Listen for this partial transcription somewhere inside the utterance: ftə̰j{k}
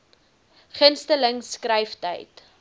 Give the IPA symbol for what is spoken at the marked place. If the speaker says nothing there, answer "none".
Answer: t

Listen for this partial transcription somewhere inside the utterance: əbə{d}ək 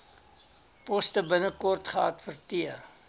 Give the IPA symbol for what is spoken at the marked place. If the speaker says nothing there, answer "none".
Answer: n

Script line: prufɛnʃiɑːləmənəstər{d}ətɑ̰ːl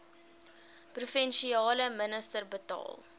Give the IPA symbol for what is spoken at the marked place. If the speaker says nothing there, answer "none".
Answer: b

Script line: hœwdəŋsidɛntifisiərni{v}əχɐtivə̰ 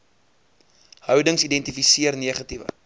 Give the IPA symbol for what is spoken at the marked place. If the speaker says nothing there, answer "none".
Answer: none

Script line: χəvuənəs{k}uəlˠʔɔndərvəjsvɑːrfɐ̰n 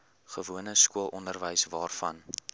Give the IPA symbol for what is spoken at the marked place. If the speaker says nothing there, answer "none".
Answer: k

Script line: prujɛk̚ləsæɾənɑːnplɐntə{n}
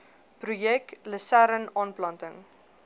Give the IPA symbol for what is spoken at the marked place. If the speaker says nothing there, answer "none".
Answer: ŋ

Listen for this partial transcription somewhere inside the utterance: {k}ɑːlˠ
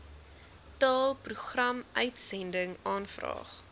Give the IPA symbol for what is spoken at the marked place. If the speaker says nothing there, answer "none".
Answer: t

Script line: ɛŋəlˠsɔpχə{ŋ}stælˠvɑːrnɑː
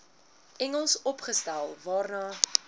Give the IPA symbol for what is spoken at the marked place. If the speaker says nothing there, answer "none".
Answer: none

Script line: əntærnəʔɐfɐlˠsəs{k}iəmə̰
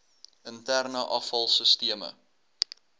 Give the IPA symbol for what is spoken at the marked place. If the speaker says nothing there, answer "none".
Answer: t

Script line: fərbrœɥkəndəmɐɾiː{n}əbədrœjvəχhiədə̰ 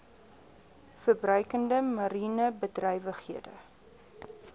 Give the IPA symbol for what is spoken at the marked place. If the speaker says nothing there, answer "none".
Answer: n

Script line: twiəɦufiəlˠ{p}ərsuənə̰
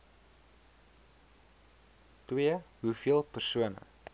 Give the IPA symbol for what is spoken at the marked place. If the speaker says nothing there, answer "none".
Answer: p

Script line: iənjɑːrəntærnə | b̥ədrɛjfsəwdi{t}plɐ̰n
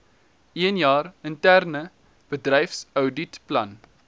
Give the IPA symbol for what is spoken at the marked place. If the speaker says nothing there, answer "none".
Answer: t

